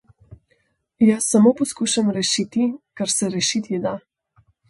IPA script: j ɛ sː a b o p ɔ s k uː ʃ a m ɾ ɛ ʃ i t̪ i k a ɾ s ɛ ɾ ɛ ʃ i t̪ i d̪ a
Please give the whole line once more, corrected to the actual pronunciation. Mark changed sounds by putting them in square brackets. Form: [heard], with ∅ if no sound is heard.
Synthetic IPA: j [a] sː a [m] o p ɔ s k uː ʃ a m ɾ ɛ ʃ i t̪ i k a ɾ s ɛ ɾ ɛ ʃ i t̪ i d̪ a